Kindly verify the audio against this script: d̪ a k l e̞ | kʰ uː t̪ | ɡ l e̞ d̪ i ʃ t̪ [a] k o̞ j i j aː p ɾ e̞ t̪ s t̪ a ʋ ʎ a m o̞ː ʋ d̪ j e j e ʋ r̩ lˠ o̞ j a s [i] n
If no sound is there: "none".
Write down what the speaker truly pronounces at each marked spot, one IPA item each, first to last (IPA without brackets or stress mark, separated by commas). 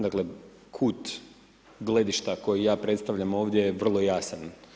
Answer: a, a